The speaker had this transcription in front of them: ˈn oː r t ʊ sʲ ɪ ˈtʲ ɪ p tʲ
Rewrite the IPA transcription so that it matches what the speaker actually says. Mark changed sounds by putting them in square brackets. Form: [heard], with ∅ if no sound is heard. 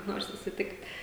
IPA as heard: ˈn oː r [s] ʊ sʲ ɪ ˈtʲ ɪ [k] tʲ